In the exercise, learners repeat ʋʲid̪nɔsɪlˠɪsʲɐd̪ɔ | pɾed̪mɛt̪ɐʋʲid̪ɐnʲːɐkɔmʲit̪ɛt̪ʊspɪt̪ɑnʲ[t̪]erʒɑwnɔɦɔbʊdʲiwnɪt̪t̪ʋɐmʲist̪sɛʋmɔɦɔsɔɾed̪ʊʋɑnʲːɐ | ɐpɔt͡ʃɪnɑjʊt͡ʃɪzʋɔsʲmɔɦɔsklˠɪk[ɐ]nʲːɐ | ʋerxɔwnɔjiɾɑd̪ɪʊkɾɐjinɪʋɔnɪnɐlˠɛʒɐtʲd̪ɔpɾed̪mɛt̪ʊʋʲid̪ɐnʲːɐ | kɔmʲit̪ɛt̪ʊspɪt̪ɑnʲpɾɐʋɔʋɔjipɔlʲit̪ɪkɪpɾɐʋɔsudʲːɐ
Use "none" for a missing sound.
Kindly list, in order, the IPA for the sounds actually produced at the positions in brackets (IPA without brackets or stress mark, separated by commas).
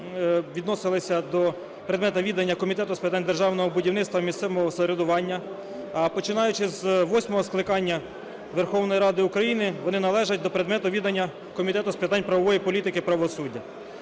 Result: d̪, ɑ